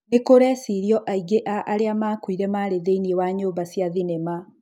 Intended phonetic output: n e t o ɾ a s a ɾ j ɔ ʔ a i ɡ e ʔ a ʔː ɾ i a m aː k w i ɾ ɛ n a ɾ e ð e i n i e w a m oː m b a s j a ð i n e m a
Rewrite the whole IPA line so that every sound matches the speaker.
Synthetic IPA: n e k o ɾ ɛ s i ɾ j ɔ ʔ a i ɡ e ʔ a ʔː ɾ e a m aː k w i ɾ ɛ m a ɾ e ð e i n i e w a ɲ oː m b a s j a ð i n e m a